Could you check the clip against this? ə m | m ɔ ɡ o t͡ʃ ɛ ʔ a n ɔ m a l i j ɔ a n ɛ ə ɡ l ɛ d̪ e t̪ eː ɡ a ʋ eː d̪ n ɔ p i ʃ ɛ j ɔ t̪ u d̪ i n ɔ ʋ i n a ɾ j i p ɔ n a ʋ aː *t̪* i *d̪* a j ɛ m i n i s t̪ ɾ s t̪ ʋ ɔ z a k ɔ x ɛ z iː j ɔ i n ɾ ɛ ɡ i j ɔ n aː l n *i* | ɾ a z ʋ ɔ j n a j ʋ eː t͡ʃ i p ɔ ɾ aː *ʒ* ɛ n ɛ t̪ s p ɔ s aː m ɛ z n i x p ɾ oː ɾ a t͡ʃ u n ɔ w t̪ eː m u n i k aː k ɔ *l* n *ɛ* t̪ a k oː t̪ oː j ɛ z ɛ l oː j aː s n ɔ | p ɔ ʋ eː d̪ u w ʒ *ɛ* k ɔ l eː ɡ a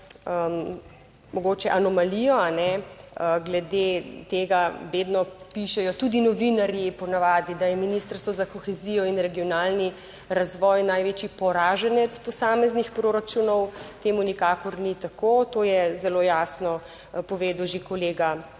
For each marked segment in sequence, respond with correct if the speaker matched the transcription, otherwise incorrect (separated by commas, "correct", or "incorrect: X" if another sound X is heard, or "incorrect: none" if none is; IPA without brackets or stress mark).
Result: incorrect: d̪, correct, correct, correct, incorrect: ɾ, incorrect: i, incorrect: e